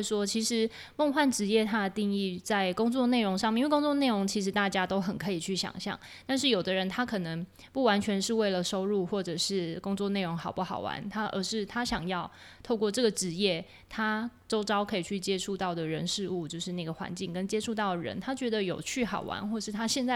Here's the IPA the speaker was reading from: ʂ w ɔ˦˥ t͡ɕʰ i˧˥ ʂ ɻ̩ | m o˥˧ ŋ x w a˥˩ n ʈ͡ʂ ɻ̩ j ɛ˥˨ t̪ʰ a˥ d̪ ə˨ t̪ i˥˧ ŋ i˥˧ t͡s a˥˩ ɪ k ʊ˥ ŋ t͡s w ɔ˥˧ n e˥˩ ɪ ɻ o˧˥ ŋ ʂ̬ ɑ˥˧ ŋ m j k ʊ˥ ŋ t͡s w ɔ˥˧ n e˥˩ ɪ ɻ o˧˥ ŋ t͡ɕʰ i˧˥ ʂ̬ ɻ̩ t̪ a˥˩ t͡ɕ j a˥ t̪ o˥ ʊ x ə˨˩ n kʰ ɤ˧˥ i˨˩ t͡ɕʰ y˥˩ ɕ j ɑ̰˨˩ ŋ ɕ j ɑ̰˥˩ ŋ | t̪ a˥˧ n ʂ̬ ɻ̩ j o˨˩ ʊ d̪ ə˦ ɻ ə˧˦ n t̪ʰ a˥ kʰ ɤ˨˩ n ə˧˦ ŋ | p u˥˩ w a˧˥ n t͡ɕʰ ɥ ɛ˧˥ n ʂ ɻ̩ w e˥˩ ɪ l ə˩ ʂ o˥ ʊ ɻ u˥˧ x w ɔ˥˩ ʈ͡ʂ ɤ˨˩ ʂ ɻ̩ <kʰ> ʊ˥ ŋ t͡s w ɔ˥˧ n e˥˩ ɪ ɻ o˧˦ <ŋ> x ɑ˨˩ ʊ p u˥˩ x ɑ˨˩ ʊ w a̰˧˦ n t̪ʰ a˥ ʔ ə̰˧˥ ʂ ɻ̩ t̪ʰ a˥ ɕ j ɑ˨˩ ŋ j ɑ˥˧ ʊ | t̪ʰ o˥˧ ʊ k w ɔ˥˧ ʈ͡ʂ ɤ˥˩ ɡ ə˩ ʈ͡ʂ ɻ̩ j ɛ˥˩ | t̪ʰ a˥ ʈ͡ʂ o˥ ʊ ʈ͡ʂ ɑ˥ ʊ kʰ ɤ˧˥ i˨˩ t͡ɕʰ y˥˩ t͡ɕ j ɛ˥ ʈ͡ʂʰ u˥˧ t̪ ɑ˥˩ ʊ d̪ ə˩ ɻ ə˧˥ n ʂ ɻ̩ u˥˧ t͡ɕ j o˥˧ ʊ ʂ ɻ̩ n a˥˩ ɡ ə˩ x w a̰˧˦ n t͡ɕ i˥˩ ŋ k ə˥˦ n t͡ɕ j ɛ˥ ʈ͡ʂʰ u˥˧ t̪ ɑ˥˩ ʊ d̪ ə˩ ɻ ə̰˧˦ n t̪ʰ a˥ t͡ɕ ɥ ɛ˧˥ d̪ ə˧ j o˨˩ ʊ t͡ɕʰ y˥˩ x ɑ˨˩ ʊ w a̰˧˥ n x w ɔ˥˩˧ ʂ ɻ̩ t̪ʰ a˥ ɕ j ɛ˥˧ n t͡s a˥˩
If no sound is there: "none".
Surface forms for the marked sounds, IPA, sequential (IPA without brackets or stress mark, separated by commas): k, ŋ